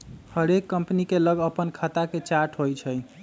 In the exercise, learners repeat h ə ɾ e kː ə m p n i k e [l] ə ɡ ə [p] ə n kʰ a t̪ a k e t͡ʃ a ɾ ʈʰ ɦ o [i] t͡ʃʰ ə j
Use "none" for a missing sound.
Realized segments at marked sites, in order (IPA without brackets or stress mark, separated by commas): l, p, j